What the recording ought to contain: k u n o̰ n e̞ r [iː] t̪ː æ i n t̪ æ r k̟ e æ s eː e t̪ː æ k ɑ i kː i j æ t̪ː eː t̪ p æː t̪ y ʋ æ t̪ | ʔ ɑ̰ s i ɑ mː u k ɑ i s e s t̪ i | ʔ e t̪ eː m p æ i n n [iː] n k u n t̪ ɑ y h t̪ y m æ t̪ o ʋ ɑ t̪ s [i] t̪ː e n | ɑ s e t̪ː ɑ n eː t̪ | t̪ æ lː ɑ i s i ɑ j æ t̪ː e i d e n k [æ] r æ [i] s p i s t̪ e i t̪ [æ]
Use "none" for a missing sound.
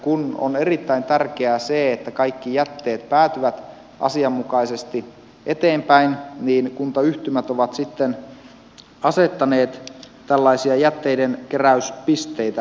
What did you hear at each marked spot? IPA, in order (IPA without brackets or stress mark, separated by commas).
i, iː, i, e, y, æ